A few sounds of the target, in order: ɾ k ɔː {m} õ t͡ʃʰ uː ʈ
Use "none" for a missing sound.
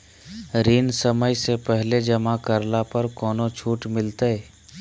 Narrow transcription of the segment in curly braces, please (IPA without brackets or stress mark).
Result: n